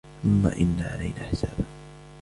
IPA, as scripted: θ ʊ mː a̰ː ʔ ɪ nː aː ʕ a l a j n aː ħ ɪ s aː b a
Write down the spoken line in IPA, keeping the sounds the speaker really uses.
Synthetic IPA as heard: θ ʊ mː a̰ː ʔ ɪ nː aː ʕ a l a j n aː ħ ɪ s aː b a